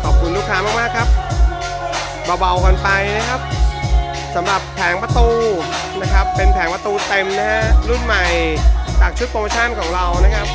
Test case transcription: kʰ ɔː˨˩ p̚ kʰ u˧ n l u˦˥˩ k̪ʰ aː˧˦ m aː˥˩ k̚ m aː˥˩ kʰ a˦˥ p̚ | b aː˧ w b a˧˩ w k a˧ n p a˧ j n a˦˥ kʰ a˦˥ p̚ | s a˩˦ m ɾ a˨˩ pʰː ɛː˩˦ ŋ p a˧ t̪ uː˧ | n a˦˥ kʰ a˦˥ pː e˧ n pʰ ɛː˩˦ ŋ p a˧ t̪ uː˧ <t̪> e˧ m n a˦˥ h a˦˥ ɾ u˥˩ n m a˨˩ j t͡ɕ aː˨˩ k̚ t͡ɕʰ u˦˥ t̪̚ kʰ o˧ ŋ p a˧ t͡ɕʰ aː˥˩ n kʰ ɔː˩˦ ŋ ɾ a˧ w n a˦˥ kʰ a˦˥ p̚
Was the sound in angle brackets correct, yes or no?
yes